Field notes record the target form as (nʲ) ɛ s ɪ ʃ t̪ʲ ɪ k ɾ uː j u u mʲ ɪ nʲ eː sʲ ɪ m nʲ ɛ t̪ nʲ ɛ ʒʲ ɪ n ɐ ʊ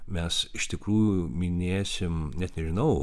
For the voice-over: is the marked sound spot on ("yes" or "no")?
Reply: no